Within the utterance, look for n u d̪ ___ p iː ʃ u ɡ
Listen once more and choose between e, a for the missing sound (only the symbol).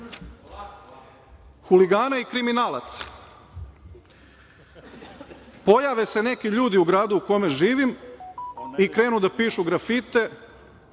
a